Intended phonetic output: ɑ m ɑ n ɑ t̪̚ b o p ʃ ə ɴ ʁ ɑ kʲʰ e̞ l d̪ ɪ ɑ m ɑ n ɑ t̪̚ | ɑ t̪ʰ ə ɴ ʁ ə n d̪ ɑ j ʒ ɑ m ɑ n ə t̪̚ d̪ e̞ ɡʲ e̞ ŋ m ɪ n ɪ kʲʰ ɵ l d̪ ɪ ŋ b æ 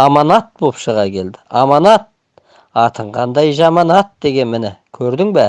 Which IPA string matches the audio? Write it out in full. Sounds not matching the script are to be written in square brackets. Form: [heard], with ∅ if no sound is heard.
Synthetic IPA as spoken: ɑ m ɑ n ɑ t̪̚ b o p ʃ ə [∅] ʁ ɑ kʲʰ e̞ l d̪ ɪ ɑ m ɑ n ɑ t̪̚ | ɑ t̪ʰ ə ɴ ʁ [ɑ] n d̪ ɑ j ʒ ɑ m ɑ n [ɑ] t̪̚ d̪ e̞ ɡʲ e̞ [n] m ɪ n ɪ kʲʰ ɵ [ɾ] d̪ ɪ ŋ b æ